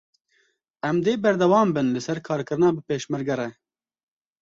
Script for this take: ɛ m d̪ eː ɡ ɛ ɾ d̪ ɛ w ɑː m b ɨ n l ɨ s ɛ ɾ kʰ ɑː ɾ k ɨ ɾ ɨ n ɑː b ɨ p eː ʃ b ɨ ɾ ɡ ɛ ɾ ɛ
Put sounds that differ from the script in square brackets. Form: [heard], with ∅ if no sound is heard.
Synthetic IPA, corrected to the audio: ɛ m d̪ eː [b] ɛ ɾ d̪ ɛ w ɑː m b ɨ n l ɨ s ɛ ɾ kʰ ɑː ɾ k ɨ ɾ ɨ n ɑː b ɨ p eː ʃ [m] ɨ ɾ ɡ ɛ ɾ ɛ